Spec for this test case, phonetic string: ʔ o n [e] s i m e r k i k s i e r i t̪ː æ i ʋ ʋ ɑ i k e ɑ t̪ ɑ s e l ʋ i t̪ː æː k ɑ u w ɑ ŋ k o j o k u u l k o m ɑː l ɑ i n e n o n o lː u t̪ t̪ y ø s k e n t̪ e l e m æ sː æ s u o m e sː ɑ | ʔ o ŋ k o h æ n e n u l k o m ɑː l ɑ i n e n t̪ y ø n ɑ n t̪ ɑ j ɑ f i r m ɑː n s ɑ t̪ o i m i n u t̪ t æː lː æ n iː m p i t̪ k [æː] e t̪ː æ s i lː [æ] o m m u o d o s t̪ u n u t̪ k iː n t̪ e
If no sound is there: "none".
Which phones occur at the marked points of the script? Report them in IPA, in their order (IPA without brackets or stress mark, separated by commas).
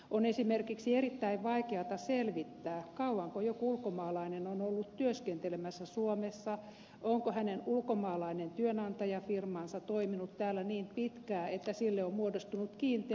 e, æː, e